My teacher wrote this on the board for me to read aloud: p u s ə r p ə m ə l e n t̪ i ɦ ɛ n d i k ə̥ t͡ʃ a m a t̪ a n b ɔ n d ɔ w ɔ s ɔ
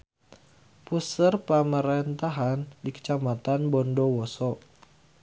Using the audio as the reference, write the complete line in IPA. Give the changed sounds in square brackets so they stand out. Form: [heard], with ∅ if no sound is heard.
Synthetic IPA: p u s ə r p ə m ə [ɾ] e n t̪ [a] ɦ [a] n d i k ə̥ t͡ʃ a m a t̪ a n b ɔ n d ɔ w ɔ s ɔ